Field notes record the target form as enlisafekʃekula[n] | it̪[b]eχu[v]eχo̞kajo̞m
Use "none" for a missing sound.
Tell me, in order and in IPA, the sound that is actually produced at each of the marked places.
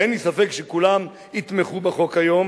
m, m, b

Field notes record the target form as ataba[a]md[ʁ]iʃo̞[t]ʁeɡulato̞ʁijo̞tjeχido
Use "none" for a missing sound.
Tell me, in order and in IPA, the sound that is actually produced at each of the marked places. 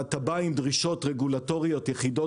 i, ʁ, t

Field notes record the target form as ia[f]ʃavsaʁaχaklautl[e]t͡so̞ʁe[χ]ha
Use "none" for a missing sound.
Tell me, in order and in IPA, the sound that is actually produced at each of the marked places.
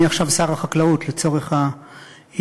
χ, e, χ

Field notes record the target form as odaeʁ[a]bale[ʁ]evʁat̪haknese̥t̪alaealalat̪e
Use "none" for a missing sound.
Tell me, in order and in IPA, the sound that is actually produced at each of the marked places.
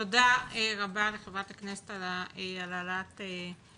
a, χ

